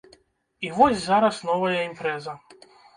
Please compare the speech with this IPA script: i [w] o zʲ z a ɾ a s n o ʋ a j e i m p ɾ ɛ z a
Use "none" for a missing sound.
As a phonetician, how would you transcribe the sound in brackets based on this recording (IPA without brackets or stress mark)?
ʋ